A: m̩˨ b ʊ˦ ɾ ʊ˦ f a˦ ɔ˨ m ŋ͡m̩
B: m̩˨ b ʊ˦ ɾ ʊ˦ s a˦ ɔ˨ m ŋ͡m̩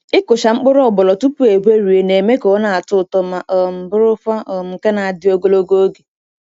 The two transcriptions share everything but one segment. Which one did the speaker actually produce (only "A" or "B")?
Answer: A